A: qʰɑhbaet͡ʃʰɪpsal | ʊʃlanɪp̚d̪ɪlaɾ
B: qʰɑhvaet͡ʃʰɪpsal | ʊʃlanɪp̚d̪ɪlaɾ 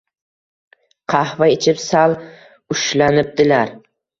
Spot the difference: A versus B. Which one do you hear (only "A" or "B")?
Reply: B